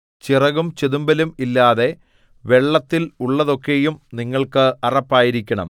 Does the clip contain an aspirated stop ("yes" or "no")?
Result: no